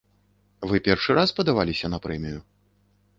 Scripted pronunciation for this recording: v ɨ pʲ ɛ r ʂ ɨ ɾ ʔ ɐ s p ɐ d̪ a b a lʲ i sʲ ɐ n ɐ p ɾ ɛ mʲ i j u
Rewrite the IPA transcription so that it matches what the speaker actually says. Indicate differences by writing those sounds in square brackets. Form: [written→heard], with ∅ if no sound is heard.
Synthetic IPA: v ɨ pʲ ɛ r ʂ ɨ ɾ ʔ [ɐ→a] s p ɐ d̪ a [b→v] a lʲ i sʲ ɐ n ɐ p ɾ ɛ mʲ i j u